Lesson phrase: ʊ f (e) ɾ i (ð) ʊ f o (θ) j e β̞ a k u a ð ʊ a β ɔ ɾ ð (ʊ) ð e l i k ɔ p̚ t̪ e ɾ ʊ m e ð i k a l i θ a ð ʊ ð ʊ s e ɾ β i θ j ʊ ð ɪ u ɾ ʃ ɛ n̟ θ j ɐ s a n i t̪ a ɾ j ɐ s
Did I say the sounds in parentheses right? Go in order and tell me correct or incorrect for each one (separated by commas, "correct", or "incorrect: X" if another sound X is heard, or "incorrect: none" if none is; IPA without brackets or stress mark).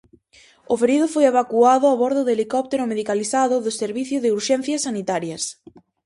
correct, correct, incorrect: none, correct